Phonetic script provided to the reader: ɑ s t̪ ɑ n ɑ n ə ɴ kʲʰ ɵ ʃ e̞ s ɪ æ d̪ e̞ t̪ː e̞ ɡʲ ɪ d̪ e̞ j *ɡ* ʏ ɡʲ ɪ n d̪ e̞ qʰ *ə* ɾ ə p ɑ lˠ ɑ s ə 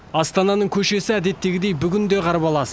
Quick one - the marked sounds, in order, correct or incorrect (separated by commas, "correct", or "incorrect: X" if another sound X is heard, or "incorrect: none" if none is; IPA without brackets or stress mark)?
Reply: incorrect: b, incorrect: ɑ